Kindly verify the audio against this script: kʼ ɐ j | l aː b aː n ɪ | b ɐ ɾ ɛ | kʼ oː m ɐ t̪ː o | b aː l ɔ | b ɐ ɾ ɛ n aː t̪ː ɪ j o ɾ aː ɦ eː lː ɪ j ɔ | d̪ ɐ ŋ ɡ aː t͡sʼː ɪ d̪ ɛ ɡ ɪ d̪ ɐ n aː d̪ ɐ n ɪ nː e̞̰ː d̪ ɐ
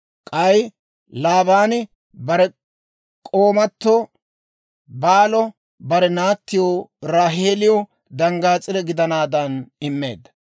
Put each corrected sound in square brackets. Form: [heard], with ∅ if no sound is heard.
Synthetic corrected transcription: kʼ ɐ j | l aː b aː n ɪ | b ɐ ɾ ɛ | kʼ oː m ɐ t̪ː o | b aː l ɔ | b ɐ ɾ ɛ n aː t̪ː ɪ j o ɾ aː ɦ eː [l] ɪ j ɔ | d̪ ɐ ŋ ɡ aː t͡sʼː ɪ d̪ ɛ ɡ ɪ d̪ ɐ n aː d̪ ɐ n ɪ [mː] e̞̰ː d̪ ɐ